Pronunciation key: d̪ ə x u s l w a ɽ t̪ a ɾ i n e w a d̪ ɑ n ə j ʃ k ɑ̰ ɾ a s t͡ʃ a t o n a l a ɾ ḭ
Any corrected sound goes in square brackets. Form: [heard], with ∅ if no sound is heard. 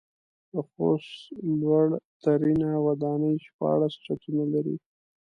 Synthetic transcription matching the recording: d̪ ə x [o] s l w a ɽ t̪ a ɾ i n [a] w a d̪ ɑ n ə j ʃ [p] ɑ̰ [ɽ] a s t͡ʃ a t [u] n a l a ɾ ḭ